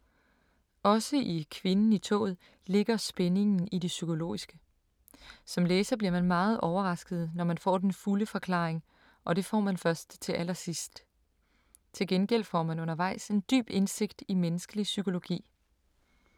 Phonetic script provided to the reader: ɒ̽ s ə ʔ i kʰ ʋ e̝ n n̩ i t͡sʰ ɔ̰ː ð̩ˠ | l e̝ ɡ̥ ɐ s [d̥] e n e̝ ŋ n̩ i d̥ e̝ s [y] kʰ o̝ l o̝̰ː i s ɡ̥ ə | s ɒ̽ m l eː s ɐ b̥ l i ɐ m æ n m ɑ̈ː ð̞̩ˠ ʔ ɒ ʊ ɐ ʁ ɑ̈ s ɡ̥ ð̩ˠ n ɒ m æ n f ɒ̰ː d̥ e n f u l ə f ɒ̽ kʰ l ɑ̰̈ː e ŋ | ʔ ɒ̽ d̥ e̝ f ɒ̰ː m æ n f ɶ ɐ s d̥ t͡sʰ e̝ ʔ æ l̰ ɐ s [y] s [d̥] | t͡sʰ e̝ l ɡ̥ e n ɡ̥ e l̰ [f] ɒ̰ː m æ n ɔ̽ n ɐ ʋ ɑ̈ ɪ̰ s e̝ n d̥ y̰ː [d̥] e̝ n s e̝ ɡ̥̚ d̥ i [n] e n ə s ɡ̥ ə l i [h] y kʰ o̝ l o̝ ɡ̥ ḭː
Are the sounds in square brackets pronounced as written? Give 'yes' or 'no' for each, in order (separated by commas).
no, yes, no, yes, yes, no, no, no